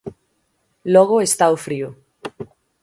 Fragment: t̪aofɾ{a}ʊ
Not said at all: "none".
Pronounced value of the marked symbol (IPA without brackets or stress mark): i